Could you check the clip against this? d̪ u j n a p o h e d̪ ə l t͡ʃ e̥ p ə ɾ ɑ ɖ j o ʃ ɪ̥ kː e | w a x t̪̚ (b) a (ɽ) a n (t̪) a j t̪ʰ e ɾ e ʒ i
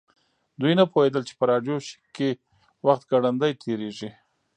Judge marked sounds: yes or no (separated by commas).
no, yes, no